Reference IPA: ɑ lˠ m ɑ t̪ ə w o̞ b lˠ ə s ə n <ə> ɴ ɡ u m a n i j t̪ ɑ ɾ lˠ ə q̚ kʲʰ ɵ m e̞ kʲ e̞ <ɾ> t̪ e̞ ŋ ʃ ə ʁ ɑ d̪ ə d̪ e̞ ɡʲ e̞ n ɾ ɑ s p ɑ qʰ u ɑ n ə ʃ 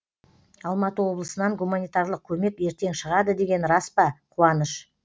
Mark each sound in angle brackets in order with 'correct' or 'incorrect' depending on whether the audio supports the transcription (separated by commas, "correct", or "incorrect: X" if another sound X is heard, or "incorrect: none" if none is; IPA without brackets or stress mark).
incorrect: ɑ, correct